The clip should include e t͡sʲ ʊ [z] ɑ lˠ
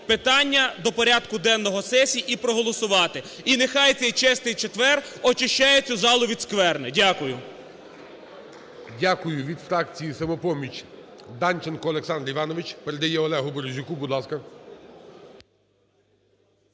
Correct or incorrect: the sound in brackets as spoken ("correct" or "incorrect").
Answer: correct